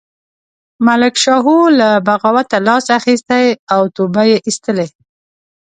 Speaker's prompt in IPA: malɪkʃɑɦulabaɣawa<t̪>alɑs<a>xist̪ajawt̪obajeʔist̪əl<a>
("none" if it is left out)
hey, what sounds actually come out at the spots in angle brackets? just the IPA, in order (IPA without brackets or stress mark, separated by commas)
t̪, a, e